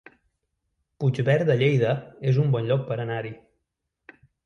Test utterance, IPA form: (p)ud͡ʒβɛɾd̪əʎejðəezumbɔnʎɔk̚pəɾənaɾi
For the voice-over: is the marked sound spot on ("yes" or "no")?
yes